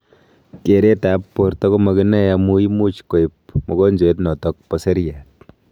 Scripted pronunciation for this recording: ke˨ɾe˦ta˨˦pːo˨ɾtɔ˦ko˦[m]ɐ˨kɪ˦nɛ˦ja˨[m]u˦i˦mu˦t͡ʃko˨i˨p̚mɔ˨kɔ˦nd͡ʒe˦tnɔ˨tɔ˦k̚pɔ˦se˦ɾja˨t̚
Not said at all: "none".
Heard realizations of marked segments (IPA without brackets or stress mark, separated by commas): m, m